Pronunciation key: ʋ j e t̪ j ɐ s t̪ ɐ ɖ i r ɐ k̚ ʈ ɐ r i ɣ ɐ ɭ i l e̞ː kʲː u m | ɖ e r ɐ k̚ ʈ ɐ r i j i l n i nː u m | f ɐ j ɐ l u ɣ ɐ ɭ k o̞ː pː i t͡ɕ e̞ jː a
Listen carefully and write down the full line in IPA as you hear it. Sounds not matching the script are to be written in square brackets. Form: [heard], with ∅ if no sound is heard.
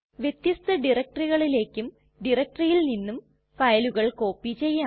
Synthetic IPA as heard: ʋ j e t̪ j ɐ s t̪ ɐ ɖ i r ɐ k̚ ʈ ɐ r i ɣ ɐ ɭ i l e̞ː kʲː u m | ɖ [i] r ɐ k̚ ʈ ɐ r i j i l n i nː u m | f ɐ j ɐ l u ɣ ɐ ɭ k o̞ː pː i t͡ɕ e̞ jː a